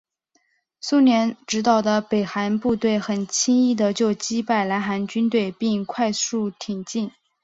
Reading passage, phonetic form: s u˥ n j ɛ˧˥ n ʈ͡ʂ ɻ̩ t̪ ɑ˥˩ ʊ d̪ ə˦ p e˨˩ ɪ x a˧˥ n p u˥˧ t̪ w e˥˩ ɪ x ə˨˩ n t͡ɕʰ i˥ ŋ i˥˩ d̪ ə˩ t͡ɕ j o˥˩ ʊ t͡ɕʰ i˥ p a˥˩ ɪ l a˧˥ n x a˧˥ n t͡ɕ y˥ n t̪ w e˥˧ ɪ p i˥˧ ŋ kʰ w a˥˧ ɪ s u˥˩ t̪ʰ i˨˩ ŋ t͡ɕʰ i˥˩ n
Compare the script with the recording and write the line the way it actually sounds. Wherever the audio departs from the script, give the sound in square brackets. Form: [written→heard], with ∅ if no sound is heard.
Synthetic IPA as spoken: s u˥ n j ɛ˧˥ n ʈ͡ʂ ɻ̩ t̪ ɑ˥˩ ʊ d̪ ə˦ p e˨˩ ɪ x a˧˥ n p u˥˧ t̪ w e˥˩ ɪ x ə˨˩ n t͡ɕʰ i˥ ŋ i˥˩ d̪ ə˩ t͡ɕ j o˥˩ ʊ [t͡ɕʰ→t͡ɕ] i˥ p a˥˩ ɪ l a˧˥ n x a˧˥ n t͡ɕ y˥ n t̪ w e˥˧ ɪ p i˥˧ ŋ kʰ w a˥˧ ɪ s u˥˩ t̪ʰ i˨˩ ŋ [t͡ɕʰ→t͡ɕ] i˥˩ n